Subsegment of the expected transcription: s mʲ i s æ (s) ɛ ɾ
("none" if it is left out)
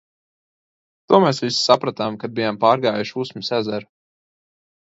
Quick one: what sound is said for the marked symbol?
z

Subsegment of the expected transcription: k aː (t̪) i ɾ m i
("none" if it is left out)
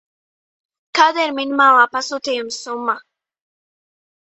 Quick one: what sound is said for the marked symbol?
d̪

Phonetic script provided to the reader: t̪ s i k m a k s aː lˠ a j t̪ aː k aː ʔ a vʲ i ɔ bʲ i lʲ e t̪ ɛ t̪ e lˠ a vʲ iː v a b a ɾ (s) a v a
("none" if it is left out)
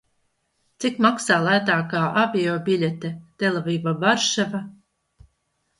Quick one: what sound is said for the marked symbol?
ʃ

